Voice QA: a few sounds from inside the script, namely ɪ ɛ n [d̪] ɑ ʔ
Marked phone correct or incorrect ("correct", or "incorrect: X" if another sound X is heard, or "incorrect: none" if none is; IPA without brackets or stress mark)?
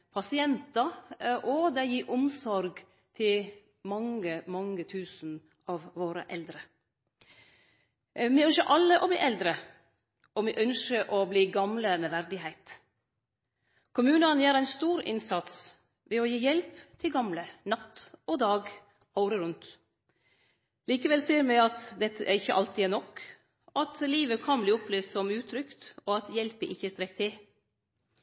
incorrect: t̪